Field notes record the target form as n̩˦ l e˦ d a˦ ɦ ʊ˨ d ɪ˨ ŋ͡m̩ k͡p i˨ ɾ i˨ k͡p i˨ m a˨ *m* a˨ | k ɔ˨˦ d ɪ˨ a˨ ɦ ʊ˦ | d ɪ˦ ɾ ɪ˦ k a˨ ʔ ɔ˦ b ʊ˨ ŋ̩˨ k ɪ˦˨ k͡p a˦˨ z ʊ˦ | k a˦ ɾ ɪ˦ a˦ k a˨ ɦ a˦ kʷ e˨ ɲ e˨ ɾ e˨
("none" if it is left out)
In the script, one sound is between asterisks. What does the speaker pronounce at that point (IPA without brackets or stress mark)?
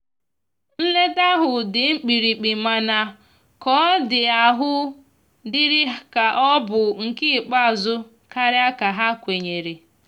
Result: n